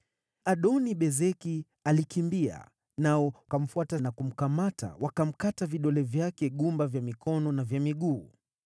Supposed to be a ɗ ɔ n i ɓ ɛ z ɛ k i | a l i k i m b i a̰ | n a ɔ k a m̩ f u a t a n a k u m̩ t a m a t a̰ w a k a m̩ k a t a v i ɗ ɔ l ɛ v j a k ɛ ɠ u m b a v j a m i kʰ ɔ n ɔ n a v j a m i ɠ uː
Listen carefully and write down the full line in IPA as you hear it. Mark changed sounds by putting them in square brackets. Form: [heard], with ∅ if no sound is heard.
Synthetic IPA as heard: a ɗ ɔ n i ɓ ɛ z ɛ k i | a l i k i m b i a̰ | n a ɔ k a m̩ f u a t a n a k u m̩ [k] a m a t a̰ w a k a m̩ k a t a v i ɗ ɔ l ɛ v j a k ɛ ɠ u m b a v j a m i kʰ ɔ n ɔ n a v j a m i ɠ uː